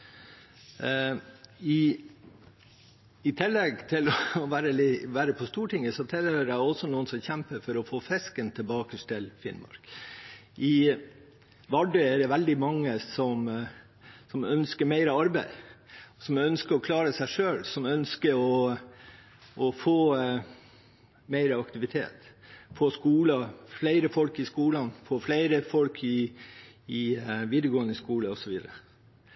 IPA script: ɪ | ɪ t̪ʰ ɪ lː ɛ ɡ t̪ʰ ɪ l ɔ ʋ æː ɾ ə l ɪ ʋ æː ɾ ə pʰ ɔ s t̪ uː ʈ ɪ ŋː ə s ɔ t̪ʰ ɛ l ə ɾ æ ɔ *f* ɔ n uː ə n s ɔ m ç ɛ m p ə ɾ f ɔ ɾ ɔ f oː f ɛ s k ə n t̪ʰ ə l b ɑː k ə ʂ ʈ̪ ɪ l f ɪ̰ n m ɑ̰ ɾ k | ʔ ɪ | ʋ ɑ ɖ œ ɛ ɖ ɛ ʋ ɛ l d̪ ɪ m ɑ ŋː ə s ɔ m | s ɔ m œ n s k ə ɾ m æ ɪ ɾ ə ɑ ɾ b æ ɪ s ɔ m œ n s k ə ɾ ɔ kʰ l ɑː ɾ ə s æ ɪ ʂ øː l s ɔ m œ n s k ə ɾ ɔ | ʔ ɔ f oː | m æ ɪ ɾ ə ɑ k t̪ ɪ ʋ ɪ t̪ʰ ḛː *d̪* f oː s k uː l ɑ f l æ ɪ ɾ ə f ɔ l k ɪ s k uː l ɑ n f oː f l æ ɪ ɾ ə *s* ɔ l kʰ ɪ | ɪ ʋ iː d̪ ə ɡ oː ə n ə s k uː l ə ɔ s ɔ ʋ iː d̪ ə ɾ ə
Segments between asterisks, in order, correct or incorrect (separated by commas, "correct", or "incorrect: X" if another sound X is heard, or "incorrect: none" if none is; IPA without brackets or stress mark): incorrect: s, incorrect: t̪, incorrect: f